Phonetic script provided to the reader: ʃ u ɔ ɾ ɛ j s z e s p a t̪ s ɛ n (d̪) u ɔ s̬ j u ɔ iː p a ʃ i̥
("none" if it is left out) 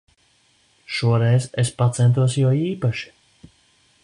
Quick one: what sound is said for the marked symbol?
t̪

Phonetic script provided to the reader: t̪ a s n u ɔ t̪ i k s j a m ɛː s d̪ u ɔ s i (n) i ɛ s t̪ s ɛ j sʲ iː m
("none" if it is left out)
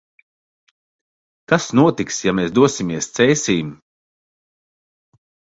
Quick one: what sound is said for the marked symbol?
m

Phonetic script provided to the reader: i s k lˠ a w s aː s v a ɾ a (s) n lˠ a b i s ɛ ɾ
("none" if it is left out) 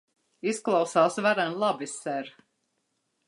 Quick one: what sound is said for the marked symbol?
none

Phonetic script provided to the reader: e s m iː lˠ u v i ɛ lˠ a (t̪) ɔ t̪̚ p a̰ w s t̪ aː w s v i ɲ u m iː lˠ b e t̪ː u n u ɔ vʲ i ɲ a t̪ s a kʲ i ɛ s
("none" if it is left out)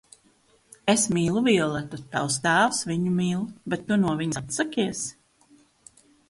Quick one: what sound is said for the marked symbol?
t̪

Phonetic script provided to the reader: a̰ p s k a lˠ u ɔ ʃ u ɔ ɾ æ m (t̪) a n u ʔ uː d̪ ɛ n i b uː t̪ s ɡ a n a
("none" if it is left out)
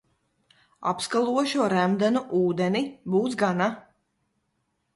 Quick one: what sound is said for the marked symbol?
d̪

